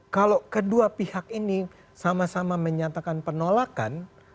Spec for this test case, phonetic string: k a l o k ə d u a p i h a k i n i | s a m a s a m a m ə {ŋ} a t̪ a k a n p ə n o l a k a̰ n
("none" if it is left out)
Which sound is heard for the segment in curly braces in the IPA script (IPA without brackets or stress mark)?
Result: ɲ